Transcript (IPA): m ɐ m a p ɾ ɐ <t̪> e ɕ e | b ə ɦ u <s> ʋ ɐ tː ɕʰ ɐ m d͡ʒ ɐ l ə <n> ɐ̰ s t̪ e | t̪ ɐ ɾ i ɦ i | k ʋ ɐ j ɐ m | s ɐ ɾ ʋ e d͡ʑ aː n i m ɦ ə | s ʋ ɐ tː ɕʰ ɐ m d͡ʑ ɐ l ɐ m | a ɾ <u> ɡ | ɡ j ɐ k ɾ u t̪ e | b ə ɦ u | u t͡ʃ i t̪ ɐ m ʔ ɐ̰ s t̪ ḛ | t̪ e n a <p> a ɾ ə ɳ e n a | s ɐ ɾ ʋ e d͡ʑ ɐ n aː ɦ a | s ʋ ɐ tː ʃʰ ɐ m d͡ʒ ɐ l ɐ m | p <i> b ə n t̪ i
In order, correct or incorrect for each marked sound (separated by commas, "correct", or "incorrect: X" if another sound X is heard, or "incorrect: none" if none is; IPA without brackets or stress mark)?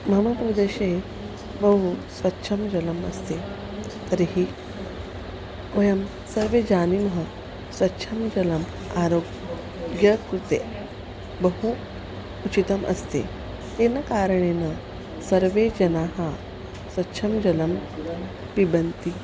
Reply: incorrect: d̪, correct, incorrect: m, incorrect: o, incorrect: k, correct